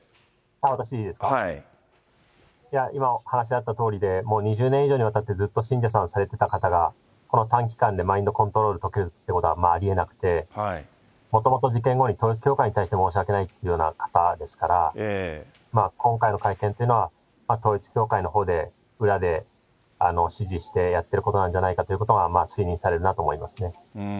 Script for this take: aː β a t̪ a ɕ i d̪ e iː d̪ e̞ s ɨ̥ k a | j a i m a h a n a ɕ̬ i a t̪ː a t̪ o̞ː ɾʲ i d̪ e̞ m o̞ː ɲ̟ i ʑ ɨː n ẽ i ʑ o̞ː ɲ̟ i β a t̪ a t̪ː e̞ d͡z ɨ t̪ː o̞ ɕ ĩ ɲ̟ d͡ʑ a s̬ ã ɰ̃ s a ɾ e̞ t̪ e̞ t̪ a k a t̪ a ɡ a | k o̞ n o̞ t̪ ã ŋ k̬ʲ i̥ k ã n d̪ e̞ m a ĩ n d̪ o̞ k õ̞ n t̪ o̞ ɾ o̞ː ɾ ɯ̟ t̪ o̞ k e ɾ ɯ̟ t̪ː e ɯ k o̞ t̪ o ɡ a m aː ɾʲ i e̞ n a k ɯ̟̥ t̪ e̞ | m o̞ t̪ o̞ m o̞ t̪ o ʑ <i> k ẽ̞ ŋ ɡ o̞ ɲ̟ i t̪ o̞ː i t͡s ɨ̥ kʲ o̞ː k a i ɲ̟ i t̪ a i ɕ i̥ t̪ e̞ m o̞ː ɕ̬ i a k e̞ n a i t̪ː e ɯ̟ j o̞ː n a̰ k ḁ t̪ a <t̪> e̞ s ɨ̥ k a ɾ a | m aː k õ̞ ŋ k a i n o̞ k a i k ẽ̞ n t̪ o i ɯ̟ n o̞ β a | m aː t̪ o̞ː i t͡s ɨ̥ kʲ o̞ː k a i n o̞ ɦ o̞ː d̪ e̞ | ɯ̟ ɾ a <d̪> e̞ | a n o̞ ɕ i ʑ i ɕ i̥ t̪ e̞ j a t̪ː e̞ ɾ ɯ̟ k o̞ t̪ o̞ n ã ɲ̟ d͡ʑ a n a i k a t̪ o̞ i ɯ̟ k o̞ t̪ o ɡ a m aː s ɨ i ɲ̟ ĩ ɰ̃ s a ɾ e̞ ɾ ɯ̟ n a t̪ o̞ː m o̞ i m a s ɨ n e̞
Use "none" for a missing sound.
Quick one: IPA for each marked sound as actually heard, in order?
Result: i, d̪, d̪

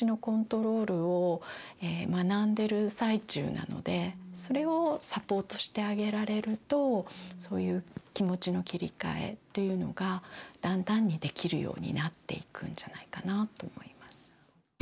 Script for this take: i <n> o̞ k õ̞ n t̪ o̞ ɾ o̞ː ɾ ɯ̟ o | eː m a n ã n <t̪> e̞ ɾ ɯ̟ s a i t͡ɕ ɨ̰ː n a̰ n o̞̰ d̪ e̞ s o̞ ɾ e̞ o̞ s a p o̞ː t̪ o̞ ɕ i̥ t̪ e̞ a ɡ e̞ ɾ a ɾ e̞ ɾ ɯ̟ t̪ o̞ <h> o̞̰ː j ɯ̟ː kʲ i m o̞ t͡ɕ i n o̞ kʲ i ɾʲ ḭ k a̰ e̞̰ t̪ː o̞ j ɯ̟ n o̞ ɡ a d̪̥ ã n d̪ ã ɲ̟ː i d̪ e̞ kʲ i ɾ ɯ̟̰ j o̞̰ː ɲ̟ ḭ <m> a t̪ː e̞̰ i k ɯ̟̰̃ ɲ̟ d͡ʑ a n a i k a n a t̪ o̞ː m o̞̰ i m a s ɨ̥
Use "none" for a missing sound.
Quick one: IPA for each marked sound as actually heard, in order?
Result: n, d̪, s, n

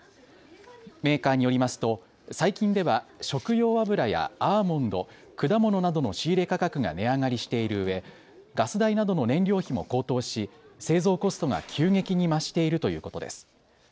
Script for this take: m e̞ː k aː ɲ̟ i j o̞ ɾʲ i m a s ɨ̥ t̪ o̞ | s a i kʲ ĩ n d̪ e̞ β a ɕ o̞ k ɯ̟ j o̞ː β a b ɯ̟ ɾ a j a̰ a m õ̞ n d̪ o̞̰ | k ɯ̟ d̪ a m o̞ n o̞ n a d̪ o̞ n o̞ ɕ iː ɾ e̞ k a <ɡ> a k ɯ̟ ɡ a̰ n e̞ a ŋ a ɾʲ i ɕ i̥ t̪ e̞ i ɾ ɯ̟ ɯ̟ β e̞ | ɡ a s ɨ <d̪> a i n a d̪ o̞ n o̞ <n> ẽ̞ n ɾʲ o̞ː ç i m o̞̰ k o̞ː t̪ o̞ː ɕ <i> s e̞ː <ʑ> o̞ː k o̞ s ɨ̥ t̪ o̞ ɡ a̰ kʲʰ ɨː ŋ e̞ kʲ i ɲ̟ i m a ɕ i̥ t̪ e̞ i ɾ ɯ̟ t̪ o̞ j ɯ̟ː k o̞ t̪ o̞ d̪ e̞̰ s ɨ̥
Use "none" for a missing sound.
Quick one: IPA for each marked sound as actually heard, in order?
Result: k, d̪, n, i, z

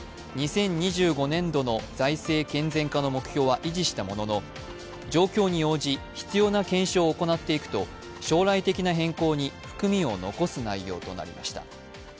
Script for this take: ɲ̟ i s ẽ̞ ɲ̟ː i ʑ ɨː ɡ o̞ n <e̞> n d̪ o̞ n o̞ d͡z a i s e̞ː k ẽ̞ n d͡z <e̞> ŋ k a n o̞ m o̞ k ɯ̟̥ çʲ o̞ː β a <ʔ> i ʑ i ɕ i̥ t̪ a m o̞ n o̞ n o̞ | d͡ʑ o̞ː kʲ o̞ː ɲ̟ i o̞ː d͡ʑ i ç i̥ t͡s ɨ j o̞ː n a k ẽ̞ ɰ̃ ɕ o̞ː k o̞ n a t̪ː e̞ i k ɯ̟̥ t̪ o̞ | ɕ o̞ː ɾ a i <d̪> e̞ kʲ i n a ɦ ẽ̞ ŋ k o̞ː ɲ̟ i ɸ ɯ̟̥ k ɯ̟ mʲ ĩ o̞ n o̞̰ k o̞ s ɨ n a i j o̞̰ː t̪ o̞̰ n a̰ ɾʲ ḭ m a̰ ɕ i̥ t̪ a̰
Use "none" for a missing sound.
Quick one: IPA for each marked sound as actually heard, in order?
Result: ẽ̞, ẽ̞, ʔ, t̪

